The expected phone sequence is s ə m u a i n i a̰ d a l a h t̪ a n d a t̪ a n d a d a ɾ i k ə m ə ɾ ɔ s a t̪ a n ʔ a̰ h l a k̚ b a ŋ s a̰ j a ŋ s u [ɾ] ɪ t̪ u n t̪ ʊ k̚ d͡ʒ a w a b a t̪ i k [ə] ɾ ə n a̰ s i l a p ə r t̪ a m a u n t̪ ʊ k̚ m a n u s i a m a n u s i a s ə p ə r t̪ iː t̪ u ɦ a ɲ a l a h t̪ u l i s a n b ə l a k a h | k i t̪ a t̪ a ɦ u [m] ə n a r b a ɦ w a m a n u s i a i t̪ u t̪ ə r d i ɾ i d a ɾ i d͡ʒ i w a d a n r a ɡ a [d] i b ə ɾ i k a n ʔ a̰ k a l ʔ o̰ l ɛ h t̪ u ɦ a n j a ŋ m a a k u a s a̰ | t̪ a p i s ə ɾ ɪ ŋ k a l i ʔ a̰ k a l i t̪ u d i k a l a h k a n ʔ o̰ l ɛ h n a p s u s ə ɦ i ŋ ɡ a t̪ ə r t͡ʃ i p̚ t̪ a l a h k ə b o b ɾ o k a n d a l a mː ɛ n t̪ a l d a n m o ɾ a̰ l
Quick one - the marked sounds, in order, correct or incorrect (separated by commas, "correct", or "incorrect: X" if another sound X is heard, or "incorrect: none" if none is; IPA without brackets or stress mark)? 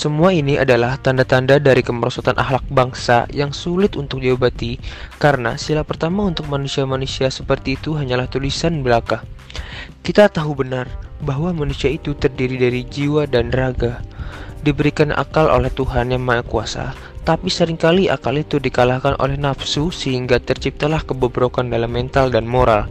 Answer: incorrect: l, incorrect: a, incorrect: b, correct